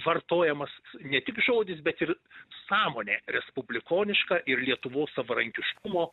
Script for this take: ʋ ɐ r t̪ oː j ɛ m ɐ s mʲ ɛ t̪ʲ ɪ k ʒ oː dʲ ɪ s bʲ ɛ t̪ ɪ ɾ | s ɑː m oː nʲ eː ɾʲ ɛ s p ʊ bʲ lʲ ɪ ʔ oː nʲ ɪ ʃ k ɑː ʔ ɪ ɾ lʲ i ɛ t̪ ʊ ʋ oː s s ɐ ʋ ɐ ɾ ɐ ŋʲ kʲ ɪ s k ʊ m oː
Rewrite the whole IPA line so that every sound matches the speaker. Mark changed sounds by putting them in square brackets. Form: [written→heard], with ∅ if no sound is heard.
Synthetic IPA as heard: ʋ ɐ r t̪ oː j ɛ m ɐ s [mʲ→nʲ] ɛ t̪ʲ ɪ k ʒ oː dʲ ɪ s bʲ ɛ t̪ ɪ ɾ | s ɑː m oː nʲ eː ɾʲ ɛ s p ʊ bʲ lʲ ɪ [ʔ→k] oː nʲ ɪ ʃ k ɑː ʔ ɪ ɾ lʲ i ɛ t̪ ʊ ʋ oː s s ɐ ʋ ɐ ɾ ɐ ŋʲ kʲ ɪ [s→ʃ] k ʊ m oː